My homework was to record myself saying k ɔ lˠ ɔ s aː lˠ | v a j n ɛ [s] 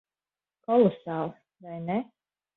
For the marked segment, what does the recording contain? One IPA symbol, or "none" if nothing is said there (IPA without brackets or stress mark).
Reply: none